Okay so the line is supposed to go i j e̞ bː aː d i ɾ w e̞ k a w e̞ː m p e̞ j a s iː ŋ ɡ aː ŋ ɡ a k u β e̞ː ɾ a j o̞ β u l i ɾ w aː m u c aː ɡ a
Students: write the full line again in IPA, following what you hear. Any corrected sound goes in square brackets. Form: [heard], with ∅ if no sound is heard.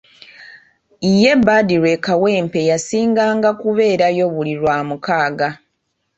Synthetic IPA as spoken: i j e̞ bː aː d i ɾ w e̞ k a w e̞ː m p e̞ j a s iː ŋ ɡ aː ŋ ɡ a k u β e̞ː ɾ a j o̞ β u l i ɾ w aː m u [k] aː ɡ a